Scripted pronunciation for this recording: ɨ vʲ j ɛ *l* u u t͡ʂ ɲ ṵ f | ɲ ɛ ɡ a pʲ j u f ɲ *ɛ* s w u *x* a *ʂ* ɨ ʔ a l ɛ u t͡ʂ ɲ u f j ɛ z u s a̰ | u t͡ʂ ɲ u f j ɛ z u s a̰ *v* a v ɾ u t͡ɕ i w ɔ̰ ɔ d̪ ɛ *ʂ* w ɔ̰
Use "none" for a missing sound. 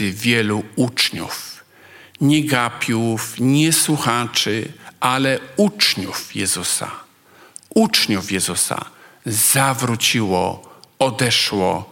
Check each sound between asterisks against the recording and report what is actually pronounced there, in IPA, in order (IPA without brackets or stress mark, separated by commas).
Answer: l, ɛ, x, t͡ʂ, z, ʂ